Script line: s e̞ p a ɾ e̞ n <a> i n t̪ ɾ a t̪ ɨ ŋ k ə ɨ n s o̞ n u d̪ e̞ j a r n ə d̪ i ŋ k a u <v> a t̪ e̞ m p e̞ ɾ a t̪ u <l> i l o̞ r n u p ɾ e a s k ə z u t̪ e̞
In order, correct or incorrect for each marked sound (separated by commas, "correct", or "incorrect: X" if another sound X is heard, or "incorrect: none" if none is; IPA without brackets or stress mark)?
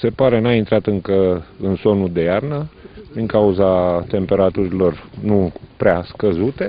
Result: correct, incorrect: z, incorrect: ɾ